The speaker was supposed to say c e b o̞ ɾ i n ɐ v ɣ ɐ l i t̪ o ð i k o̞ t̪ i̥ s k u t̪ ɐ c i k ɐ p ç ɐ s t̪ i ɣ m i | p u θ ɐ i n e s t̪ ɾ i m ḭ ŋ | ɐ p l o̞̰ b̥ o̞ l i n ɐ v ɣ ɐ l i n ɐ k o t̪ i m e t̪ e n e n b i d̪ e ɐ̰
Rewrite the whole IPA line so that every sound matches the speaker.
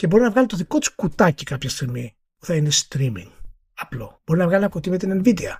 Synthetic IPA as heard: c e b o̞ ɾ i n ɐ v ɣ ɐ l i t̪ o ð i k o̞ t̪ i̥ s k u t̪ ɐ c i k ɐ p ç ɐ s t̪ i ɣ m i | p u θ ɐ i n e s t̪ ɾ i m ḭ ŋ | ɐ p l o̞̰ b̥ o̞ ɾ i n ɐ v ɣ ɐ l i n ɐ k o t̪ i m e t̪ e n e n v i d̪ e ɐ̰